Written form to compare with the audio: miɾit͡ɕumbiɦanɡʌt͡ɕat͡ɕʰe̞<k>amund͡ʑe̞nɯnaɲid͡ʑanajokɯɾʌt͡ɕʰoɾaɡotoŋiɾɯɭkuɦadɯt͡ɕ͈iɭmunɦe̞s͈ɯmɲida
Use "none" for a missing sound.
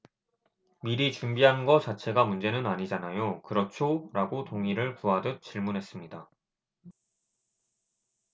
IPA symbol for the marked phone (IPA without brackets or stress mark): ɡ